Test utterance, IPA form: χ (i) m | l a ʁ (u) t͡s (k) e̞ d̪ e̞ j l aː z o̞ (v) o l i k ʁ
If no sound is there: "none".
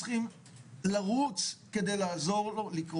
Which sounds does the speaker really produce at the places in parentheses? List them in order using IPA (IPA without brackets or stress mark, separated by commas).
i, u, k, ʁ